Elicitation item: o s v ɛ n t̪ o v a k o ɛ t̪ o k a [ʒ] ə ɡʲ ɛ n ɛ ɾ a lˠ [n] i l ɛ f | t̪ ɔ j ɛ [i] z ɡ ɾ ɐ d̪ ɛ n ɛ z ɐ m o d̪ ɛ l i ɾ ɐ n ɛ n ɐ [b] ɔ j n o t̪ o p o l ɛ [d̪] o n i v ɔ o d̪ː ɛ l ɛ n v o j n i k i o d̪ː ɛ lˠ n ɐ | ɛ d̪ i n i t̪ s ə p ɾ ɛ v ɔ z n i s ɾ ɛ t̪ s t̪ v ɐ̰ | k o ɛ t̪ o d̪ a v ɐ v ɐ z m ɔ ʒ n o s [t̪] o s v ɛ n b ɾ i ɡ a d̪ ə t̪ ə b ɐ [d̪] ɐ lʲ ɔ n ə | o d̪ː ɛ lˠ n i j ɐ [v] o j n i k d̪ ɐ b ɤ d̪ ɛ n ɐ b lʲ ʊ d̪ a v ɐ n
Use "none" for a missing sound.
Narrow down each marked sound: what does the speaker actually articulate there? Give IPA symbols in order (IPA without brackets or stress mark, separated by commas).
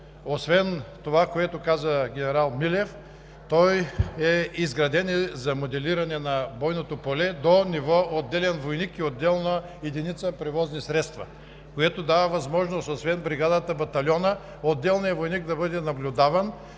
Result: z, m, i, b, d̪, t̪, t̪, v